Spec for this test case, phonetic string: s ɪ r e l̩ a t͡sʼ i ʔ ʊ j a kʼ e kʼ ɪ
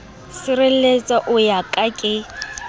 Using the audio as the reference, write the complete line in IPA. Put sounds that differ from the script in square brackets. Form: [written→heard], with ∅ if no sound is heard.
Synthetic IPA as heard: s ɪ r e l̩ [a→e] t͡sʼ [i→a] ʔ ʊ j a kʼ [e→a] kʼ ɪ